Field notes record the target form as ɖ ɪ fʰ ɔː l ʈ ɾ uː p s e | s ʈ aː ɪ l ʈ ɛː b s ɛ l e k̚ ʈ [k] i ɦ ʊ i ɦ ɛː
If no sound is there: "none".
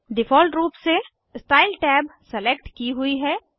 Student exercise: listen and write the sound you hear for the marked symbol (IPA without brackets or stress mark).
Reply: k